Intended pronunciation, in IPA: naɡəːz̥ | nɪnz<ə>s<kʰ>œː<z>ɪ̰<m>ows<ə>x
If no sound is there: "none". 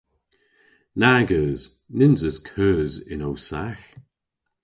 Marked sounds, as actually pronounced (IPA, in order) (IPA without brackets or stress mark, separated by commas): ə, kʰ, z, n, a